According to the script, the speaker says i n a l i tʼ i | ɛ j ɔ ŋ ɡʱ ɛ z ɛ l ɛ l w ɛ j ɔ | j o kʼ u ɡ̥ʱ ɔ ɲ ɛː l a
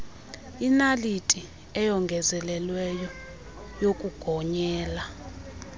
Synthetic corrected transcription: i n a l i tʼ i | ɛ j ɔ ŋ ɡʱ ɛ z ɛ l ɛ l w ɛ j ɔ | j o kʼ u ɡ̥ʱ ɔ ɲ ɛː l a